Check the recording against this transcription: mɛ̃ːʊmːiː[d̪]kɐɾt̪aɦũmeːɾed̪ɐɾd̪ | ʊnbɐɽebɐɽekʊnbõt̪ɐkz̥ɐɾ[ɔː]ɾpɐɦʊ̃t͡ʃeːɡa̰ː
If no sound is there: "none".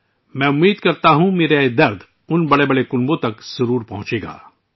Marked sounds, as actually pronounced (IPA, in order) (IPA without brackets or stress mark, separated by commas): d̪, uː